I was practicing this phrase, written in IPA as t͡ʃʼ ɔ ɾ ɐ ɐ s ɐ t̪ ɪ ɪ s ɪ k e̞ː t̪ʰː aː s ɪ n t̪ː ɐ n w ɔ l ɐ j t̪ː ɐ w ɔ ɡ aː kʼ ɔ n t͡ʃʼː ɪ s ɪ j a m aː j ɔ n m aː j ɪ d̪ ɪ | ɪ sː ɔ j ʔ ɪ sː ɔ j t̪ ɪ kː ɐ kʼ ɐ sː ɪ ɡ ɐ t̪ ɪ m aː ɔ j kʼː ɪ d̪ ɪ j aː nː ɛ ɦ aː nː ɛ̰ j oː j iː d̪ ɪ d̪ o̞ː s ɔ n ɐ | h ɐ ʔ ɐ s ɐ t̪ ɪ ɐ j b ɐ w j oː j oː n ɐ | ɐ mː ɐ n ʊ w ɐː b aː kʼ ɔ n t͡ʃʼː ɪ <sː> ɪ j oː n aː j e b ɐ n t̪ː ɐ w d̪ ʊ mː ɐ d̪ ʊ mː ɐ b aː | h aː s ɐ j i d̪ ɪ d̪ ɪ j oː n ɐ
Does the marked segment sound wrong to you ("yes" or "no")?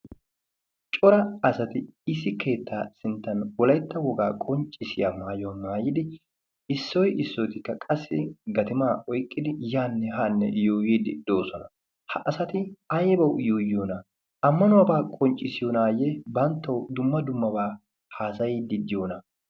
yes